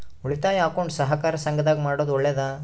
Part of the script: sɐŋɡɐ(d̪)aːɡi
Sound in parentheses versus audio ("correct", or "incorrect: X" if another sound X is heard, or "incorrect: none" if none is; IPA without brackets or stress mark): correct